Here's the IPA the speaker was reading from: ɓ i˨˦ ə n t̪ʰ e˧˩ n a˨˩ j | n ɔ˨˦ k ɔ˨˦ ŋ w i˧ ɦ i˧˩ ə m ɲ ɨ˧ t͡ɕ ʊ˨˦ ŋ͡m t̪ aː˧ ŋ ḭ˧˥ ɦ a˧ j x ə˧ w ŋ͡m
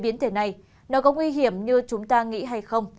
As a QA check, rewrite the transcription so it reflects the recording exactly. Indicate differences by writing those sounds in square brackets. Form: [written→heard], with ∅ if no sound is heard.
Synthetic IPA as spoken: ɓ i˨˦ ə n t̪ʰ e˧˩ n a˨˩ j | n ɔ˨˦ k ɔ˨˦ ŋ w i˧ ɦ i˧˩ ə m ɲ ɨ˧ t͡ɕ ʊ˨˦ ŋ͡m t̪ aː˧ ŋ ḭ˧˥ ɦ a˧ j x ə˧ w ŋ͡m

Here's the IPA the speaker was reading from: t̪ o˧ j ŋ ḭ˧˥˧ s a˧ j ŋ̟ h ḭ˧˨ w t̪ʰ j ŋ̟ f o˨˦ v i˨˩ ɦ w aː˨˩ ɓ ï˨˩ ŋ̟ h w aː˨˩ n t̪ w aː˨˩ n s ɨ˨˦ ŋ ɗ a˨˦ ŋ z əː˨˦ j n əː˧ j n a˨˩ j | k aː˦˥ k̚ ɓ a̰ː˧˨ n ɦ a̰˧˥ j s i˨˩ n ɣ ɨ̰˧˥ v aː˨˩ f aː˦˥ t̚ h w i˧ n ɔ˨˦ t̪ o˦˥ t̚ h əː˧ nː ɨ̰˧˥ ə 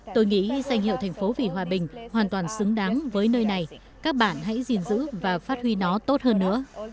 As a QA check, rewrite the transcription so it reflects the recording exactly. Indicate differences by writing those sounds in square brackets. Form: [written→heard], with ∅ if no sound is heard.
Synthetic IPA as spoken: t̪ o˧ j ŋ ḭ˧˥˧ s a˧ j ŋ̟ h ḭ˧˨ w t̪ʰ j ŋ̟ f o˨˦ v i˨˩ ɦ w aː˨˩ ɓ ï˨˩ ŋ̟ h w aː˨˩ n t̪ w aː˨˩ n s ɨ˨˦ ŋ ɗ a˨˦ ŋ [z→v] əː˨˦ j n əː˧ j n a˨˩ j | k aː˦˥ k̚ ɓ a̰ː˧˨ n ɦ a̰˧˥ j [s→z] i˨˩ n [ɣ→z] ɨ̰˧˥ v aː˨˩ f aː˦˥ t̚ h w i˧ n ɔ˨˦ t̪ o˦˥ t̚ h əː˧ nː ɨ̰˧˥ ə

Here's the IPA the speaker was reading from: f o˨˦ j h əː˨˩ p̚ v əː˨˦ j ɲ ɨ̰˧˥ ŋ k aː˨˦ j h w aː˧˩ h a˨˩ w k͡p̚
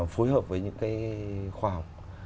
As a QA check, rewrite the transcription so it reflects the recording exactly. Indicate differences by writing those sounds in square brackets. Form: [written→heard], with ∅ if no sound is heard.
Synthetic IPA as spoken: f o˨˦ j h əː˨˩ p̚ v əː˨˦ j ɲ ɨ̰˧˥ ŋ k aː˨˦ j [h→x] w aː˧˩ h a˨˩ w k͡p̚

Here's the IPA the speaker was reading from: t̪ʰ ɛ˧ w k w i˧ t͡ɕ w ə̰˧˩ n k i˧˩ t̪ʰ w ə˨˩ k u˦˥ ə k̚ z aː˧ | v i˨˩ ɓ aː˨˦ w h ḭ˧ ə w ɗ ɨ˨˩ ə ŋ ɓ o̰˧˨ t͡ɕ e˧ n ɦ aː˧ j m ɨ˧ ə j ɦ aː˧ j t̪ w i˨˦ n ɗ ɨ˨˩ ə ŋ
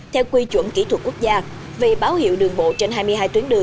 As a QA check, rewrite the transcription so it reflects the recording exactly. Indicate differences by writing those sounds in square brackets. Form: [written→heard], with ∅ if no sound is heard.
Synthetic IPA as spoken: t̪ʰ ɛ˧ w k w i˧ t͡ɕ w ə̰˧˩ n k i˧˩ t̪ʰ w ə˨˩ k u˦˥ ə k̚ z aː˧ | v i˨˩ ɓ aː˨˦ w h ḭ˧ ə w ɗ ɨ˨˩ ə ŋ ɓ o̰˧˨ t͡ɕ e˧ n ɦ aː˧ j m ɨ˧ ə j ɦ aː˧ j t̪ w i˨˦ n ɗ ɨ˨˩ ə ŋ

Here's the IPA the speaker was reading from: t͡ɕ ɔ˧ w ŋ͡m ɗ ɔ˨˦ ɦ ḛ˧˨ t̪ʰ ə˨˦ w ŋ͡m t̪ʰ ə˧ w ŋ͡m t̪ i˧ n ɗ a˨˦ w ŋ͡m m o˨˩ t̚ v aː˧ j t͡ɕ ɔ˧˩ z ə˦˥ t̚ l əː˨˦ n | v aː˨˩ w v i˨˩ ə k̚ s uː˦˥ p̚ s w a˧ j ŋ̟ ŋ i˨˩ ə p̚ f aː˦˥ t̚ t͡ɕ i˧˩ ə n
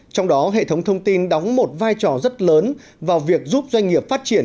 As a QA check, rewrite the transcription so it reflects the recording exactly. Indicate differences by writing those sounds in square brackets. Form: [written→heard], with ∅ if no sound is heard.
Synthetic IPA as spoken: t͡ɕ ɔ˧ w ŋ͡m ɗ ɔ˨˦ ɦ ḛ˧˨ t̪ʰ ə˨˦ w ŋ͡m t̪ʰ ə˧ w ŋ͡m t̪ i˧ n ɗ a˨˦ w ŋ͡m m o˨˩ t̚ v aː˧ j t͡ɕ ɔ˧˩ z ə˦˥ t̚ l əː˨˦ n | v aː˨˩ w v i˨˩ ə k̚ [s→z] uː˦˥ p̚ [s→z] w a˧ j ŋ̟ ŋ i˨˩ ə p̚ f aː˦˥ t̚ t͡ɕ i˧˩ ə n

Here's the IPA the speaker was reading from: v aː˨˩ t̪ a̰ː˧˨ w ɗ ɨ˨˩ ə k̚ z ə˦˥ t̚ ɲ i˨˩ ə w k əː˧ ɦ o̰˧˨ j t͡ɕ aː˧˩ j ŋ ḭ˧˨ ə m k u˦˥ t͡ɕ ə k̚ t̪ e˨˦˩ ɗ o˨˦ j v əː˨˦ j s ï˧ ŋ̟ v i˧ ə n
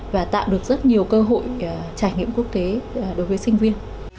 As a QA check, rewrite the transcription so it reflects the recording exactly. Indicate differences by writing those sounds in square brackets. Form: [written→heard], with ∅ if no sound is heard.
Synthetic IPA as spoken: v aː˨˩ t̪ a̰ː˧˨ w ɗ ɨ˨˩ ə k̚ z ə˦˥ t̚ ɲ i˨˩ ə w k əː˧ ɦ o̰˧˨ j t͡ɕ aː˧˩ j ŋ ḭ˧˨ ə m k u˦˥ [t͡ɕ→∅] ə k̚ t̪ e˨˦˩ ɗ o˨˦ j v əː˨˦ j s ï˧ ŋ̟ v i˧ ə n

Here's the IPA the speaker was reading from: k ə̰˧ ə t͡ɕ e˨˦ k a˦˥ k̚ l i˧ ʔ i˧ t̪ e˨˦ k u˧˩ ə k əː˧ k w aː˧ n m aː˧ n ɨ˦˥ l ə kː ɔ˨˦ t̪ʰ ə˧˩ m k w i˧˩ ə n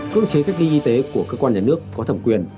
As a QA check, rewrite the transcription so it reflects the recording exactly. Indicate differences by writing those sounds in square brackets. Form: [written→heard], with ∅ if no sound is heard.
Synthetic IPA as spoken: k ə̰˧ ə t͡ɕ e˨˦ k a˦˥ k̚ l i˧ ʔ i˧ t̪ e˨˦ k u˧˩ ə k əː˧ k w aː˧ n [m→ɲ] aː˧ n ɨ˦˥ [l→∅] ə kː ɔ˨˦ t̪ʰ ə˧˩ m k w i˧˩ ə n

